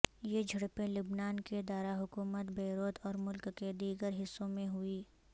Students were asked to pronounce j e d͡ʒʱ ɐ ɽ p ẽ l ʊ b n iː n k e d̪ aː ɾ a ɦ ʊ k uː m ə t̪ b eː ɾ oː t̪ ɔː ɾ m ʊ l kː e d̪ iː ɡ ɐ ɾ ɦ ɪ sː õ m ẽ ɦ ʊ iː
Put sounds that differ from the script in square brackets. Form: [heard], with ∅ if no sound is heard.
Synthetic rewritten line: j e d͡ʒʱ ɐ ɽ p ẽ l ʊ b n [aː] n k e d̪ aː ɾ a ɦ ʊ k uː m ə t̪ b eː ɾ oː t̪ ɔː ɾ m ʊ l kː e d̪ iː ɡ [ə] ɾ ɦ ɪ sː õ m ẽ ɦ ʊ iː